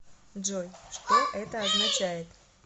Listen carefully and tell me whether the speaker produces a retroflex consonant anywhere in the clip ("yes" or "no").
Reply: yes